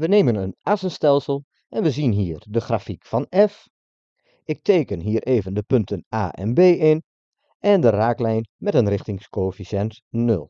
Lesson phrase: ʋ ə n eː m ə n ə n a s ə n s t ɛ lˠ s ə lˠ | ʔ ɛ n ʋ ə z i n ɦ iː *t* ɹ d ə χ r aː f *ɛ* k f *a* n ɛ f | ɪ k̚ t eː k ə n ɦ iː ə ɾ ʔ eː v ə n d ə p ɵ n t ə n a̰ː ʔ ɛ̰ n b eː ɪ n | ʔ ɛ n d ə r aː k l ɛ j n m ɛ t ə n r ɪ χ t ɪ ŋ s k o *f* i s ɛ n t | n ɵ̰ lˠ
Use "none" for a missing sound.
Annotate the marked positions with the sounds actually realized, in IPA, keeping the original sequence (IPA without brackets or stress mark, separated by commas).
none, i, ɑ, f